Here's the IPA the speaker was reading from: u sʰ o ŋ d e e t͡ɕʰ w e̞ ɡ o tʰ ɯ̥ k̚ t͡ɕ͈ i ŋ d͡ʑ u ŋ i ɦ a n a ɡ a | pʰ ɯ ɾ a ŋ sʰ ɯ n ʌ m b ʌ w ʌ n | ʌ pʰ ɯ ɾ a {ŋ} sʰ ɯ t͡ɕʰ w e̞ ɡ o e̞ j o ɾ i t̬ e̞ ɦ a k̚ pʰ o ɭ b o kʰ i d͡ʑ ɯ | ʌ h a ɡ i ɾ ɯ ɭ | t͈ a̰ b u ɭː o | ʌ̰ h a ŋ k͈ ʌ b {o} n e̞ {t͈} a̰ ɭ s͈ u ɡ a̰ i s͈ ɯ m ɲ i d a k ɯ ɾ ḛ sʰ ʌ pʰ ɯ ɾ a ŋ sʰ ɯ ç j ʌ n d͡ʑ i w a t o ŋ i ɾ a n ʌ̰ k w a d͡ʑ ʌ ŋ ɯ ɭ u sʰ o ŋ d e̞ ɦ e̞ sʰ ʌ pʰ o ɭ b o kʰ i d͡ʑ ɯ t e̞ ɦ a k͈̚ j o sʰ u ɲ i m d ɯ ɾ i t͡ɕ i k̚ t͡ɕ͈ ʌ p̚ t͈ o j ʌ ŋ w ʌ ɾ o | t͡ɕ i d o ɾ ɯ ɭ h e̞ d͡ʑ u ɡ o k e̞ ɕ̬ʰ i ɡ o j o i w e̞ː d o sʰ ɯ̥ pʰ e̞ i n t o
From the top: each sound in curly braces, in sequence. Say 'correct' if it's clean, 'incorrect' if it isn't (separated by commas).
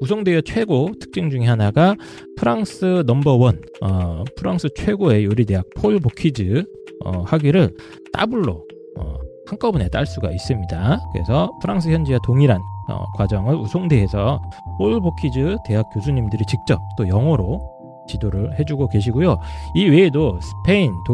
correct, incorrect, correct